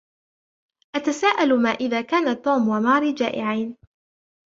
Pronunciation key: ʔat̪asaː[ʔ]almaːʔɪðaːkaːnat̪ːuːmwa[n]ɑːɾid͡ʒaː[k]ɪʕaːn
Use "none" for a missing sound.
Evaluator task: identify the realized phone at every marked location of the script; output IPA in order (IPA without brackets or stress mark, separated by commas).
ʔ, m, ʔ